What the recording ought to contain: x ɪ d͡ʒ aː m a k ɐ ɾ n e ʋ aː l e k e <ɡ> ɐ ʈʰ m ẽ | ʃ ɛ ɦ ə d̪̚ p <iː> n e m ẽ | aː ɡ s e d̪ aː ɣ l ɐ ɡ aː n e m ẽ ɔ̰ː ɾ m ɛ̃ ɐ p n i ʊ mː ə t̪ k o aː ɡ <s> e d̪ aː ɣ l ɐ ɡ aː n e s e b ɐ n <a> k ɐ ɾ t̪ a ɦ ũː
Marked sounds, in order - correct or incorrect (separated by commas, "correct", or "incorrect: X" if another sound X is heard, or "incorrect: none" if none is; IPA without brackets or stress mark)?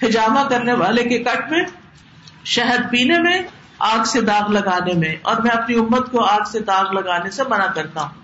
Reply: incorrect: k, correct, correct, correct